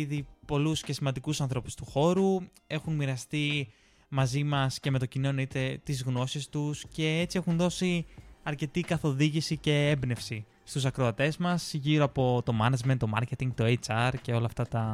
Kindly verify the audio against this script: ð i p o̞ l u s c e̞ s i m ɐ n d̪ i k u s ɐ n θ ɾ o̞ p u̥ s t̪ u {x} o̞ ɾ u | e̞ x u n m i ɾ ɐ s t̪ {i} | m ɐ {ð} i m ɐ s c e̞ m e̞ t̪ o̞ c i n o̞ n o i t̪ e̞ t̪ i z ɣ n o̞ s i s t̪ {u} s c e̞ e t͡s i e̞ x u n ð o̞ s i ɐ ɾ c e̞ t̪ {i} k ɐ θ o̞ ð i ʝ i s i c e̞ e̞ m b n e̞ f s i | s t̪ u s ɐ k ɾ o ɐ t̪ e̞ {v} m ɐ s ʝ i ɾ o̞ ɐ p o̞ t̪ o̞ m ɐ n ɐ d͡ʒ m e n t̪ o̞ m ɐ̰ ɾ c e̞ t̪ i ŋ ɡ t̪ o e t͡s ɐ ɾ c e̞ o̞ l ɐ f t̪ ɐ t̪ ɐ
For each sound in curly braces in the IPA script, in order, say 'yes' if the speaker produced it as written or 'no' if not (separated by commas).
yes, yes, no, yes, yes, no